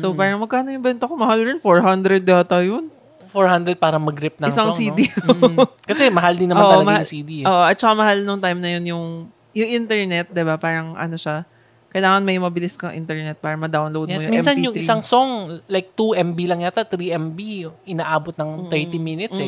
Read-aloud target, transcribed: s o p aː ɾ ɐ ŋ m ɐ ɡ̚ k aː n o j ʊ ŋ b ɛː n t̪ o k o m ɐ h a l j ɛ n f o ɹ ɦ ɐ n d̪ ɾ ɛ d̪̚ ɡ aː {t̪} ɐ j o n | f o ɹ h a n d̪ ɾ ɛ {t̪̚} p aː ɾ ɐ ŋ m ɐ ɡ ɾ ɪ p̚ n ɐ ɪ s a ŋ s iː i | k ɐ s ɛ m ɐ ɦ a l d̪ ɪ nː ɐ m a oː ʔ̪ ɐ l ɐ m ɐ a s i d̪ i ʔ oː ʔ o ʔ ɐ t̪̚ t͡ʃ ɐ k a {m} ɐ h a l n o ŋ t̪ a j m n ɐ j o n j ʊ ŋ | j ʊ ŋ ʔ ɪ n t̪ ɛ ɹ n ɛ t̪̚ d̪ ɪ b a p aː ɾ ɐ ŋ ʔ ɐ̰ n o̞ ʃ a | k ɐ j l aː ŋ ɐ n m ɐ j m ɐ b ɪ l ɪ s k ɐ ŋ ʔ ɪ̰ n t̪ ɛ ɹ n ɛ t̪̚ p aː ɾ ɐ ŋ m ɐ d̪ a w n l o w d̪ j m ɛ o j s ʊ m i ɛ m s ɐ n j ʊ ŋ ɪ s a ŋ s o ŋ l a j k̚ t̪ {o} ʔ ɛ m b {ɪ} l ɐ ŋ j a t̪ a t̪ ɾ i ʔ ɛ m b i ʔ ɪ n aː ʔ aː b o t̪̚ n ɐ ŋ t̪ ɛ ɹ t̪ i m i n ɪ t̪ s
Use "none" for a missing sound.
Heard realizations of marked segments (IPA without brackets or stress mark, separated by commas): t̪, d̪̚, m, u, i